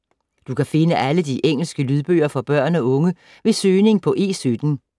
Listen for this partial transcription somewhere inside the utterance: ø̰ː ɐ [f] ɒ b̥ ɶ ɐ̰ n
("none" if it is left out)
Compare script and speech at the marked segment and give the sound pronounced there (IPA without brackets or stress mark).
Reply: f